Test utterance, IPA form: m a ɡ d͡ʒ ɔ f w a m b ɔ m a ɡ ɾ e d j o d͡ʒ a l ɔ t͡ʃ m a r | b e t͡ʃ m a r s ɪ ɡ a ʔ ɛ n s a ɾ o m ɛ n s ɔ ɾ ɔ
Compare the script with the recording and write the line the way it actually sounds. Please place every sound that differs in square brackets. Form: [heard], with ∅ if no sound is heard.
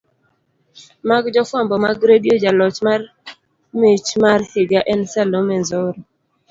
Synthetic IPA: m a ɡ d͡ʒ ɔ f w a m b ɔ m a ɡ ɾ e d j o d͡ʒ a l ɔ t͡ʃ m a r | [m] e t͡ʃ m a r [h] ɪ ɡ a ʔ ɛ n s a [l] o m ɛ n [z] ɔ ɾ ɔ